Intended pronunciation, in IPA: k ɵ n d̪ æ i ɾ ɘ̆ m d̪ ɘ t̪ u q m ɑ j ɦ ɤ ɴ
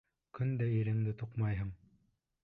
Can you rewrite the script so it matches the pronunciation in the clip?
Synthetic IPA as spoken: k ɵ n d̪ æ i ɾ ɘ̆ ŋ d̪ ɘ t̪ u q m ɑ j ɦ ɤ ɴ